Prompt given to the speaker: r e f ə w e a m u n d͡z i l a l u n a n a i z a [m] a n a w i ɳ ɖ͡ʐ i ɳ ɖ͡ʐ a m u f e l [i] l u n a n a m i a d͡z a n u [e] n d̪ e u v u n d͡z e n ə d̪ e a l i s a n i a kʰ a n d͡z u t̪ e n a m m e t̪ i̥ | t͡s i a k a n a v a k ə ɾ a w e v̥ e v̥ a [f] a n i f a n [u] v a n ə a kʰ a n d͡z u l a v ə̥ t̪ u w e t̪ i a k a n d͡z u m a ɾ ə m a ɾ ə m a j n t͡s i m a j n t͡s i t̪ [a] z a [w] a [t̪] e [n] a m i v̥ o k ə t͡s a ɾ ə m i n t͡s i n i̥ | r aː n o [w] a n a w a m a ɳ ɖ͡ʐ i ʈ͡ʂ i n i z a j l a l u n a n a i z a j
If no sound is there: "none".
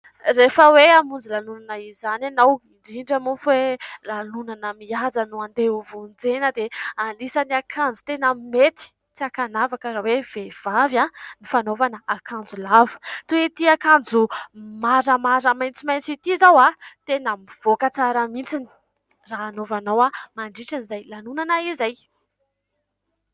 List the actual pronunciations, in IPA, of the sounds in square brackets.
n, a, a, v, o, i, w, t̪, n, v

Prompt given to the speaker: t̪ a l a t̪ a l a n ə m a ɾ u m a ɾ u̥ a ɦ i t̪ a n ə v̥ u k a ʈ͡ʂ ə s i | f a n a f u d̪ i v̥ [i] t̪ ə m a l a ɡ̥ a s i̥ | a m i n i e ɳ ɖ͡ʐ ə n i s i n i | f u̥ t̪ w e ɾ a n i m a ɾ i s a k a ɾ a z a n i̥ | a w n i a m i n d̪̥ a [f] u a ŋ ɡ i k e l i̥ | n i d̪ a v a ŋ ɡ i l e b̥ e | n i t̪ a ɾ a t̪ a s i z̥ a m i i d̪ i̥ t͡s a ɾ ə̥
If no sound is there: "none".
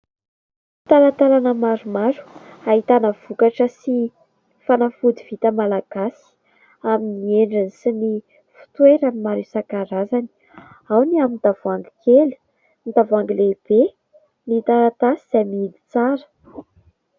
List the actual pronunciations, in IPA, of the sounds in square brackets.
i, v

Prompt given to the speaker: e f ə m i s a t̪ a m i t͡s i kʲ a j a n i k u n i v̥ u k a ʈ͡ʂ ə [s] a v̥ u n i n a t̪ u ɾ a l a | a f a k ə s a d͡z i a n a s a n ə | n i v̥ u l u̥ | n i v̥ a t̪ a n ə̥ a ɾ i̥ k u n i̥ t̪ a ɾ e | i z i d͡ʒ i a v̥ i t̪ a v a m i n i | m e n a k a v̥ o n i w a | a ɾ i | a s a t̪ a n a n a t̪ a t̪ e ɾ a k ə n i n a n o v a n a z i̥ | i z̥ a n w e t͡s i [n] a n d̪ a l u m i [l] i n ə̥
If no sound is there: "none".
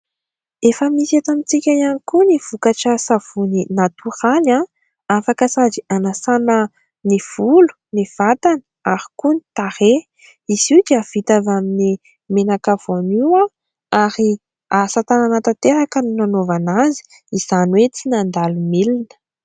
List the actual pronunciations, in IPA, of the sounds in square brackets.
s, n, l

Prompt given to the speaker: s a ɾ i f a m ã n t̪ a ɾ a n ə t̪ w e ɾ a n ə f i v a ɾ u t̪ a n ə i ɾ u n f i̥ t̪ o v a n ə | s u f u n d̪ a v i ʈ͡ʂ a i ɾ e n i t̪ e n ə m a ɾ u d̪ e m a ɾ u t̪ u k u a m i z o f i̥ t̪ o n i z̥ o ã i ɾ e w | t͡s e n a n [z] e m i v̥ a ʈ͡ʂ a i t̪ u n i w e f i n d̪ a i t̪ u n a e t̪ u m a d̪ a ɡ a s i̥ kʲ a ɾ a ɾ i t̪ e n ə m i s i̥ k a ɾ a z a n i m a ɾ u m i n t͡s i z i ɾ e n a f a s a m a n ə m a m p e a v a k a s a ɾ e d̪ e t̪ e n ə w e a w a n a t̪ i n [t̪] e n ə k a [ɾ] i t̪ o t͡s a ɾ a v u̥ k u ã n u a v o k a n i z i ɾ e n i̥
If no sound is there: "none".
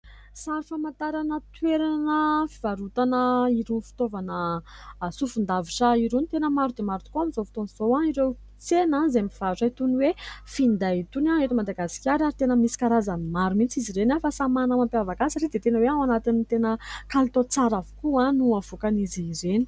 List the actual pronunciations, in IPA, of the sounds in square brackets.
z, t̪, l

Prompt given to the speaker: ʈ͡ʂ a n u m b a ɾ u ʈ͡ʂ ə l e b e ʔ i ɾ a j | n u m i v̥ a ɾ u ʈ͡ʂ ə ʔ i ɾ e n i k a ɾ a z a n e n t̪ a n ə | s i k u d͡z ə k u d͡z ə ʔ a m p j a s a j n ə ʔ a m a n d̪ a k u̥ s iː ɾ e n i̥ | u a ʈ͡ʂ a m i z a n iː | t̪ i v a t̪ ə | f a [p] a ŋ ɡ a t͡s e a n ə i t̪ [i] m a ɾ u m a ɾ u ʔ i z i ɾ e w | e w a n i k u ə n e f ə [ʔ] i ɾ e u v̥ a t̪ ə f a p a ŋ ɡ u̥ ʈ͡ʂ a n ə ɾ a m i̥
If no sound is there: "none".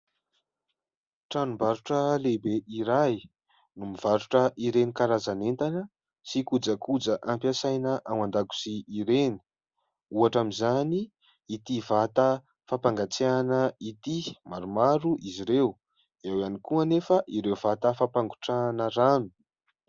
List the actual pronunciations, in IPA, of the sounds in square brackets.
p, i, ʔ

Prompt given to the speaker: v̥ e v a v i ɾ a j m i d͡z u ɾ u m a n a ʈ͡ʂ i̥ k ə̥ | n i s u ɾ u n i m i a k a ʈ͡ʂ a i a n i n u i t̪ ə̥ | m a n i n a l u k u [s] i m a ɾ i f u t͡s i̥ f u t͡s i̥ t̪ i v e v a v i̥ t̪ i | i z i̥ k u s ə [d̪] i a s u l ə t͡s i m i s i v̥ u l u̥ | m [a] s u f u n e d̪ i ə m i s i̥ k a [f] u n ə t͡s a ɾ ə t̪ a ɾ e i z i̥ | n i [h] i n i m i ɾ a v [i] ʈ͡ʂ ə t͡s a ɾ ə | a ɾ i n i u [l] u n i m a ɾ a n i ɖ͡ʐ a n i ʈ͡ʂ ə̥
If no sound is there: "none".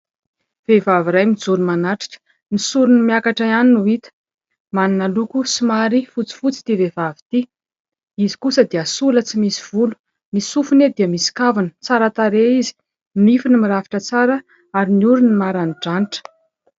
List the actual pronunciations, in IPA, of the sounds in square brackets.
s, d̪, i, v, f, i, ɾ

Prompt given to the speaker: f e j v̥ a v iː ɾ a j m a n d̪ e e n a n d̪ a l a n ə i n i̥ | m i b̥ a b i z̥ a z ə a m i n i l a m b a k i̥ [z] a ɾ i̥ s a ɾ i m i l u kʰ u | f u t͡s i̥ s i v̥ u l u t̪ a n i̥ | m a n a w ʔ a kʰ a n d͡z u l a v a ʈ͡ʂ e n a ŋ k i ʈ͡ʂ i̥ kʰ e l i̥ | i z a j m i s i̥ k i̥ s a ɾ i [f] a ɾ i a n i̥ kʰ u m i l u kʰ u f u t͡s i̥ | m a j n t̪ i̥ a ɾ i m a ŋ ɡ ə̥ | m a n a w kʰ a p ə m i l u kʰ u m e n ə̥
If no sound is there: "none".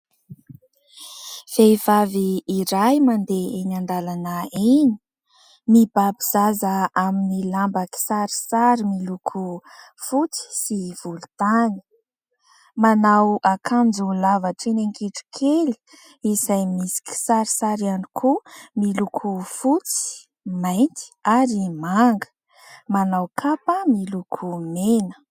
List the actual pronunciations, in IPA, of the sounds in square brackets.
s, s

